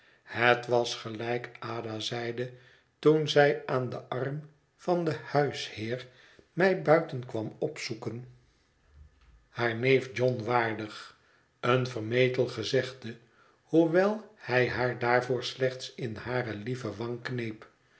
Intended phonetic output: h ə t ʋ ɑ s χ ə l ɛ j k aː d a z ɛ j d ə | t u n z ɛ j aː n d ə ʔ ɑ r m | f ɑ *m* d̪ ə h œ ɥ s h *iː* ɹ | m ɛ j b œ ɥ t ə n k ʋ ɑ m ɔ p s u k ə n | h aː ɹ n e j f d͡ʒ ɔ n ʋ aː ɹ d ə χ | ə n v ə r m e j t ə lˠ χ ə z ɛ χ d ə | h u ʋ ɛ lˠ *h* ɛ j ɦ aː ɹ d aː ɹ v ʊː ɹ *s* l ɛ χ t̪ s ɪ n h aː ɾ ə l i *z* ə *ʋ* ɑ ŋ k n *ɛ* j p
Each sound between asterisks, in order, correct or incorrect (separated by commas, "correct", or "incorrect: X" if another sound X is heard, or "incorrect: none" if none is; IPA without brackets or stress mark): incorrect: n, incorrect: ɪː, correct, correct, incorrect: v, correct, incorrect: e